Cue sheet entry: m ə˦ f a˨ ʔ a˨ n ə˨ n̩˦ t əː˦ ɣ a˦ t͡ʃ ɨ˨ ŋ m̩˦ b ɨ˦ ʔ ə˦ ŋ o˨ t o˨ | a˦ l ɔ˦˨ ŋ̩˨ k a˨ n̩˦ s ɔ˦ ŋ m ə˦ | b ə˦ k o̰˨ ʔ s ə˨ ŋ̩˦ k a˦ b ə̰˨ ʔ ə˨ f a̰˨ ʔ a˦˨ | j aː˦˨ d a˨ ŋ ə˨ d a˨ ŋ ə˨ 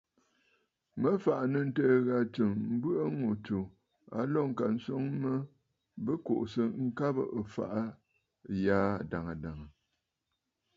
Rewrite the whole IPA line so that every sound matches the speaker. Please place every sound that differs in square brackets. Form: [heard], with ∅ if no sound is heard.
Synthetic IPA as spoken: m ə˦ f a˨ ʔ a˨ n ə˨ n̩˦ t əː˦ ɣ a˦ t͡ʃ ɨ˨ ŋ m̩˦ b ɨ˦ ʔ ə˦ ŋ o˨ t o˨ | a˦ l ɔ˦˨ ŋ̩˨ k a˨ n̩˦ s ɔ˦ ŋ m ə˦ | b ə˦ k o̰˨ ʔ s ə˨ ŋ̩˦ k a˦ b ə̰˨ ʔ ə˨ f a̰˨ ʔ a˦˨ | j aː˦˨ d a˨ ŋ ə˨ d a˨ ŋ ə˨